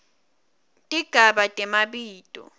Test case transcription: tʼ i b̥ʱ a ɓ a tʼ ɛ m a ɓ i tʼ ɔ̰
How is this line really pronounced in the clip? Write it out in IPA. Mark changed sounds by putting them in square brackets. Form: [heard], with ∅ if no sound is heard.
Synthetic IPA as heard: tʼ i [ɡ̥ʱ] a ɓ a tʼ ɛ m a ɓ [iː] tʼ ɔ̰